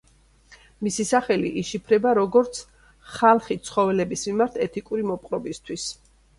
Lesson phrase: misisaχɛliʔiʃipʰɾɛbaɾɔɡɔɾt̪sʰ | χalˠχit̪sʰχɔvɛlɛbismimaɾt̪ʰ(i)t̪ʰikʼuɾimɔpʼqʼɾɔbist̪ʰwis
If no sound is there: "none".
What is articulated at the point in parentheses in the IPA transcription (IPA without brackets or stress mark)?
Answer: ɛ